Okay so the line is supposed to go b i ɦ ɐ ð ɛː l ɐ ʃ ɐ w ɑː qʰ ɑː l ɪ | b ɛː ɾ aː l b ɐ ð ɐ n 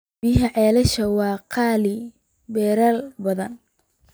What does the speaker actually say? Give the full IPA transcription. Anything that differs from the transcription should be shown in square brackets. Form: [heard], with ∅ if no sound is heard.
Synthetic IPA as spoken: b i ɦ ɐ [ʕ] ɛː l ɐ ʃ ɐ w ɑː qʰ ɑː l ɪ | b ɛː ɾ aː l b ɐ ð ɐ n